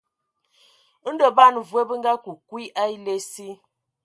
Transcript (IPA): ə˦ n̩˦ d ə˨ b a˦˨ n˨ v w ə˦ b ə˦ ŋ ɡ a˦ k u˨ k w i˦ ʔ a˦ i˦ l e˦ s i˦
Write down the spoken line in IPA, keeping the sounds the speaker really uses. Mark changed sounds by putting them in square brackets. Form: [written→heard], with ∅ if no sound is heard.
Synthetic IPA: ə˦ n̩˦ d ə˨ b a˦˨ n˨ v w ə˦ b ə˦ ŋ ɡ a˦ k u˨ k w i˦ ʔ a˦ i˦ l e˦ s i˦